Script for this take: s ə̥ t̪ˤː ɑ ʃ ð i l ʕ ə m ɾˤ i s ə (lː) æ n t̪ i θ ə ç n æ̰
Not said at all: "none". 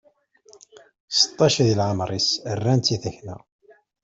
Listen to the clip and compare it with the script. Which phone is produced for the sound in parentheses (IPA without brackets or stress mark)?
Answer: rː